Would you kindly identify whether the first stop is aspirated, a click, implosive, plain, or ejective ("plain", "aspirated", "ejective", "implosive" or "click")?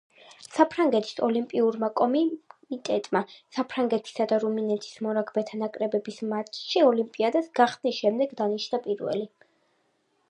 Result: aspirated